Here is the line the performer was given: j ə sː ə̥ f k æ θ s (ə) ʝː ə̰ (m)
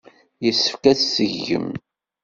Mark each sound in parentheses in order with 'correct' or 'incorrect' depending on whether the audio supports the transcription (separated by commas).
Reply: correct, correct